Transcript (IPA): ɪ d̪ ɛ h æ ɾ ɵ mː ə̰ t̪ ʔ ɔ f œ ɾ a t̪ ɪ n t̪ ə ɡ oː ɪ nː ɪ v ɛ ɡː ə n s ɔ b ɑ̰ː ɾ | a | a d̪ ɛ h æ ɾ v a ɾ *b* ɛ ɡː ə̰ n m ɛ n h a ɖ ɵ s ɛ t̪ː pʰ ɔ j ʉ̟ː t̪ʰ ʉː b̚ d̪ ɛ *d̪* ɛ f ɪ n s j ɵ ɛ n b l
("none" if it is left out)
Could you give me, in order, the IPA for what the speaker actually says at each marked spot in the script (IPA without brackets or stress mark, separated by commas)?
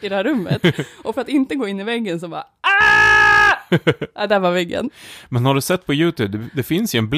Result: v, d̪